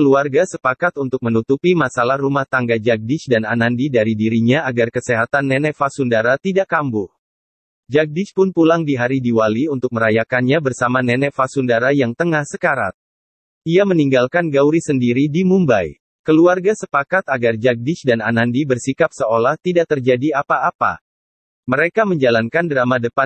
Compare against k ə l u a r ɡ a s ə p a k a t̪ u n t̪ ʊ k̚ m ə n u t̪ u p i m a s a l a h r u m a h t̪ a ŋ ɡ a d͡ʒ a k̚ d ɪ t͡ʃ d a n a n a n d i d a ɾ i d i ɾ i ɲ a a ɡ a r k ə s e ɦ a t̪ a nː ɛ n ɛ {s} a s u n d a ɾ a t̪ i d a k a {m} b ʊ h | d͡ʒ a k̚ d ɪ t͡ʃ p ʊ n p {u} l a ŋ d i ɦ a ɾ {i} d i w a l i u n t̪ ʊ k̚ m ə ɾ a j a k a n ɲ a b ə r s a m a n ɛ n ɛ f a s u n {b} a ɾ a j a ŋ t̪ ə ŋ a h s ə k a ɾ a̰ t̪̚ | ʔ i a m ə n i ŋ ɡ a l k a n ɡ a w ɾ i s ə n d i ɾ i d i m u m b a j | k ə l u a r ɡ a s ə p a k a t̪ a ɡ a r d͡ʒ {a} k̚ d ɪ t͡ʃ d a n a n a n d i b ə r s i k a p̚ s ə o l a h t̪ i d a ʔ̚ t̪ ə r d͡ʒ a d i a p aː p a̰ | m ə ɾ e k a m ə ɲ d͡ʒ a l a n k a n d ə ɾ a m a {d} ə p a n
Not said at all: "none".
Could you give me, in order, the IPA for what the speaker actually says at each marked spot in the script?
f, m, u, i, d, a, d

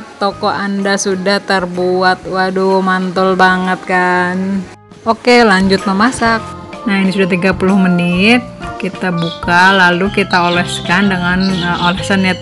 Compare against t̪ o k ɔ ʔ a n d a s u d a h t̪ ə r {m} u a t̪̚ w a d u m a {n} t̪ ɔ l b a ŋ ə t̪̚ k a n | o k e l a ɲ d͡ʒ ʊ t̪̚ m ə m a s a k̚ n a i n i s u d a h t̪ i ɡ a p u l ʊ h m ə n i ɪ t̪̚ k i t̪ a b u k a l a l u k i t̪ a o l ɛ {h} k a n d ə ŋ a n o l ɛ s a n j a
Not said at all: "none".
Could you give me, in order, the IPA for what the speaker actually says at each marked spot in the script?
b, n, s

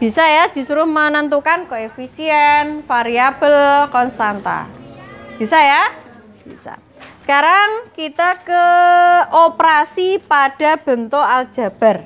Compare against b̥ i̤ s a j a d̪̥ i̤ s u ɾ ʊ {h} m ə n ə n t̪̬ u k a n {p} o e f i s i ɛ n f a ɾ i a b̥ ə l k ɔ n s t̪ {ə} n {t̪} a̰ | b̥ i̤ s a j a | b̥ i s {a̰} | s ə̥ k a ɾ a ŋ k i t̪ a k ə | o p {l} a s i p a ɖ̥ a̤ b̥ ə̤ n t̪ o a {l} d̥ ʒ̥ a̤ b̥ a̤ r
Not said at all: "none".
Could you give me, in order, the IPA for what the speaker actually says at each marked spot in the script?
h, k, a, t̪, a̰, ɾ, l

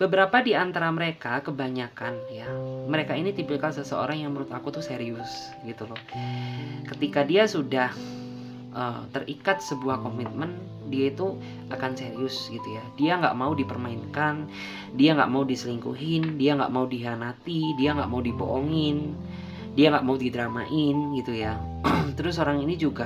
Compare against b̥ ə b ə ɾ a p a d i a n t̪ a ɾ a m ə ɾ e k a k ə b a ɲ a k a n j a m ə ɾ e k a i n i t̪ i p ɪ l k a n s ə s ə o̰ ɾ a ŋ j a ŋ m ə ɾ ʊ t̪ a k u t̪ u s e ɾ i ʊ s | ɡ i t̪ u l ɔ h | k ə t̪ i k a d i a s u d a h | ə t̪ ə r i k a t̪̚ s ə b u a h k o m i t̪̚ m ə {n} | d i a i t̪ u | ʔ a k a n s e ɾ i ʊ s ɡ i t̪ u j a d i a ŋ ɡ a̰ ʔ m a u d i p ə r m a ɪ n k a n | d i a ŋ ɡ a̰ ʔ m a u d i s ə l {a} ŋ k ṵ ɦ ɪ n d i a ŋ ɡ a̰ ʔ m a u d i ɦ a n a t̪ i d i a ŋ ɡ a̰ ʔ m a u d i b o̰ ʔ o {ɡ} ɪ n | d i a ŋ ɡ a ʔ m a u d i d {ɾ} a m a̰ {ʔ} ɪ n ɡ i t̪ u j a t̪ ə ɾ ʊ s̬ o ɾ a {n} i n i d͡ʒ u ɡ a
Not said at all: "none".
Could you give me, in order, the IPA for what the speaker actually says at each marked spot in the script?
n, i, ŋ, ɾ, ʔ, ŋ

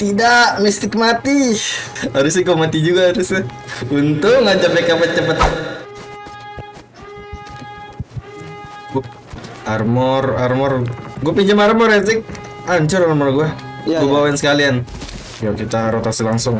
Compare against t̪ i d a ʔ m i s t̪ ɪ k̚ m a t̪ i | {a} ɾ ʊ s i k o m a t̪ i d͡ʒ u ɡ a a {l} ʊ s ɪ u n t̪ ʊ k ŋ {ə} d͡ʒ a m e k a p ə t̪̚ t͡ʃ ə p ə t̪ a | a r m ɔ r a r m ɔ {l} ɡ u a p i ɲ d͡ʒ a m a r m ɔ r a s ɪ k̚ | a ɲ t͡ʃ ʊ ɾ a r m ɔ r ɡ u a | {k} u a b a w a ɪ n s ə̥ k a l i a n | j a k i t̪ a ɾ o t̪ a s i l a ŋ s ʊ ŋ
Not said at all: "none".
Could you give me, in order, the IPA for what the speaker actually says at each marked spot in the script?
a, ɾ, a, r, ɡ

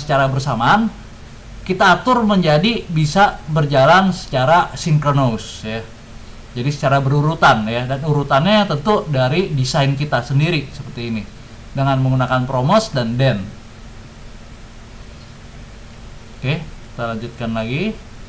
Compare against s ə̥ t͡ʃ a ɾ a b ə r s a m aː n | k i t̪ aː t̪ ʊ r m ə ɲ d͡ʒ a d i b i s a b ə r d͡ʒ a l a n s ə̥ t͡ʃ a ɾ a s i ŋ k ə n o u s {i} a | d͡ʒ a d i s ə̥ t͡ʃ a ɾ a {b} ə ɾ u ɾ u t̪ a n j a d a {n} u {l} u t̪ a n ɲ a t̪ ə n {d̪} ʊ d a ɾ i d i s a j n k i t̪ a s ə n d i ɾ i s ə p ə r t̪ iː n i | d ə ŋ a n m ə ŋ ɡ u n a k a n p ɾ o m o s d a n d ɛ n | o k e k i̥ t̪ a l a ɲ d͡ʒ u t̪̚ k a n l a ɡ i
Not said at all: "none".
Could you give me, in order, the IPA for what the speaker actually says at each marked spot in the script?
j, b, n, ɾ, t̪

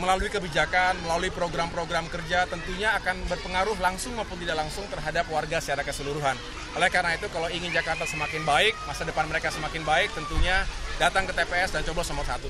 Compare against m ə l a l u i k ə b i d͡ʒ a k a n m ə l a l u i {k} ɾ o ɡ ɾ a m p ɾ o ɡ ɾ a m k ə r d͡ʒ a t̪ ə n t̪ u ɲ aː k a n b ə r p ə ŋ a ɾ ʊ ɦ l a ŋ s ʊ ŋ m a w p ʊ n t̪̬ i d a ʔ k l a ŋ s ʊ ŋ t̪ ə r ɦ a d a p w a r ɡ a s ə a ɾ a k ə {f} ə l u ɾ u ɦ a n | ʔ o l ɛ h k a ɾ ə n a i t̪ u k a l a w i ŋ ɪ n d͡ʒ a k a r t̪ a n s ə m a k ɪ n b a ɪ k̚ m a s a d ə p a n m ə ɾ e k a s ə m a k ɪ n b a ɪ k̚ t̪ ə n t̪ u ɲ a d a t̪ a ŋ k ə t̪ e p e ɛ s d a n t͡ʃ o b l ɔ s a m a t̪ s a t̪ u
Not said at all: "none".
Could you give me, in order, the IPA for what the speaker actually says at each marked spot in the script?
p, s

